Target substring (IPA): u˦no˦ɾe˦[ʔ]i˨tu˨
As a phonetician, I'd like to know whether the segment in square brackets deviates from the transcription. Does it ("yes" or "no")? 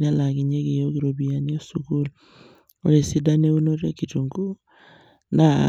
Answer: yes